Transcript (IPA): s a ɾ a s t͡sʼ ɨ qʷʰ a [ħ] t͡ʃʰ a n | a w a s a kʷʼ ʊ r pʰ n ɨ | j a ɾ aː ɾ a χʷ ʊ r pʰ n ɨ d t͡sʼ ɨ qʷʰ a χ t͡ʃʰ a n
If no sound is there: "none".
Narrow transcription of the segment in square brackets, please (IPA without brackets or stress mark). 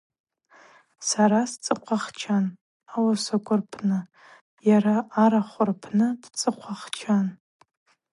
χ